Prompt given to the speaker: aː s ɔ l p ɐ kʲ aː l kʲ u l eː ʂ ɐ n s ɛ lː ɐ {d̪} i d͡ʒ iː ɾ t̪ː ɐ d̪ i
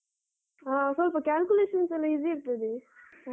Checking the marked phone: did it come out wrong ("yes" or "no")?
yes